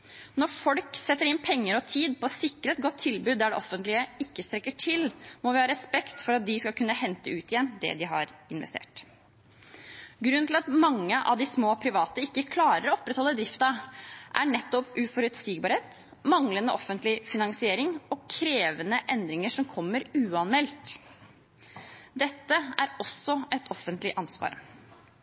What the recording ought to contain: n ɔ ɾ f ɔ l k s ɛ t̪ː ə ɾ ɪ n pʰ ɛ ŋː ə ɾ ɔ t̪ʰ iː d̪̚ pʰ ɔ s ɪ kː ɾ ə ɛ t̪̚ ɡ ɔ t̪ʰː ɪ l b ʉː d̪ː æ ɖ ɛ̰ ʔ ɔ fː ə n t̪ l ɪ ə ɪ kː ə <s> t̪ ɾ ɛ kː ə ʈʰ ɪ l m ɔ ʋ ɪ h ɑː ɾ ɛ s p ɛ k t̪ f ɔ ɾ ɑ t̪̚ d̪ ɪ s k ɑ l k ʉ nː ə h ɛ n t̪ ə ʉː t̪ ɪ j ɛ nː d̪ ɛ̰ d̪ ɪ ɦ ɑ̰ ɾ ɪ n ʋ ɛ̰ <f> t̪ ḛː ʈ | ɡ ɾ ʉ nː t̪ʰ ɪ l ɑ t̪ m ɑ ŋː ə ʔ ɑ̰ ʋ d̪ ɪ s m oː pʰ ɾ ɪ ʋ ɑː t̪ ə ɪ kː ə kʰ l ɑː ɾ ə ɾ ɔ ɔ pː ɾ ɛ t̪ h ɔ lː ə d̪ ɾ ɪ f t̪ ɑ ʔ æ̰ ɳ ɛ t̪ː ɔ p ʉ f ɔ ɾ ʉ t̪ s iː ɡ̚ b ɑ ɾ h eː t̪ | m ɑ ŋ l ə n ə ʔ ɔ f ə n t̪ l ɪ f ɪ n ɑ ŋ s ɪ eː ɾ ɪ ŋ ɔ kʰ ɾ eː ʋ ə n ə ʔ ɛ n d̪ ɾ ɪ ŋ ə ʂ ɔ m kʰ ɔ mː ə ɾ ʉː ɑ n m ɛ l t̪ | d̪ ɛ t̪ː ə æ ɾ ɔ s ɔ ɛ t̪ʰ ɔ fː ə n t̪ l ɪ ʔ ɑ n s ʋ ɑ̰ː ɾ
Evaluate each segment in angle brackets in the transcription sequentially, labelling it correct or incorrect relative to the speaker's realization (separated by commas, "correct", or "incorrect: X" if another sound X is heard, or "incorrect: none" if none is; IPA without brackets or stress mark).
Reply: correct, incorrect: s